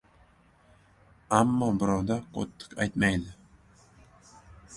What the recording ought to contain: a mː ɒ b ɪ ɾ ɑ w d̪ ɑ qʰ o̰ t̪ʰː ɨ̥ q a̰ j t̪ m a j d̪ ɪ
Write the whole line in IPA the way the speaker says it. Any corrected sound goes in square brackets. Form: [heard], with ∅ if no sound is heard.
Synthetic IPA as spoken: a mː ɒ b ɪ ɾ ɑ w d̪ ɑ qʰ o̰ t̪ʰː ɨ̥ q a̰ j t̪ m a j d̪ ɪ